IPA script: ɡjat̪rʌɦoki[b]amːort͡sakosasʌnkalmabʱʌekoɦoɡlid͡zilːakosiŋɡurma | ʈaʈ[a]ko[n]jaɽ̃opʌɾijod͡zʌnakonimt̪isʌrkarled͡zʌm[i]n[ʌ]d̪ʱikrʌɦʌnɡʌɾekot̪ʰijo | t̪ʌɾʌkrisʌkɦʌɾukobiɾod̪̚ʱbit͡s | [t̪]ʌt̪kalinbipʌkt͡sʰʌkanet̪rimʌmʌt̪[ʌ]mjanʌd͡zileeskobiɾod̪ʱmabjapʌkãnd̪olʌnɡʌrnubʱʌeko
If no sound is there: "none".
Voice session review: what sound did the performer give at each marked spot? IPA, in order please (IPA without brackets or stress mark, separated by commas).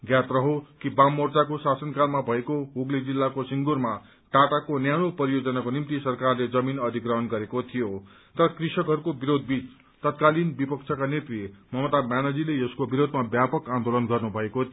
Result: b, a, n, i, ʌ, t̪, a